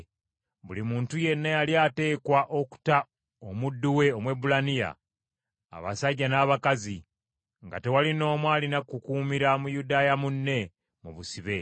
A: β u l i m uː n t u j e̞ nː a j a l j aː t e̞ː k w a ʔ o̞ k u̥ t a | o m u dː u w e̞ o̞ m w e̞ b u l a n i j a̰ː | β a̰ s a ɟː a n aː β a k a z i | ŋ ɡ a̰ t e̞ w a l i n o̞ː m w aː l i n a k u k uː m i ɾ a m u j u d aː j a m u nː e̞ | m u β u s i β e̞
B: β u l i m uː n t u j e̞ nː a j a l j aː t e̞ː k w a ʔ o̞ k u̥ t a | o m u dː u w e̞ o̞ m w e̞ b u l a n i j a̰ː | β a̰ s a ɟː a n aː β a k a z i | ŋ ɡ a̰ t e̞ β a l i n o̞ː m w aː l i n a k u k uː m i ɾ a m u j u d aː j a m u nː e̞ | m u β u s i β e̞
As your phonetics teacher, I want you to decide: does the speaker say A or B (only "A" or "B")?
A